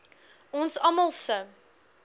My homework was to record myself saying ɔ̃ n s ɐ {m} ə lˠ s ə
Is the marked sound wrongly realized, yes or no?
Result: no